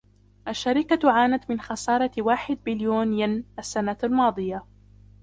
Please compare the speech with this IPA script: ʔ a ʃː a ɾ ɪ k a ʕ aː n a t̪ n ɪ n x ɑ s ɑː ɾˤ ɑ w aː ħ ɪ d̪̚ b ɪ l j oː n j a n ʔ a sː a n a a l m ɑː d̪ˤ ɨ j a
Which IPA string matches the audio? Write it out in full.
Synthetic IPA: ʔ a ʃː a ɾ ɪ k a ʕ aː n a t̪ m ɪ n x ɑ s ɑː ɾˤ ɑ w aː ħ ɪ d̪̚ b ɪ l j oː n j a n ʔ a sː a n a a l m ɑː d̪ˤ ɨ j a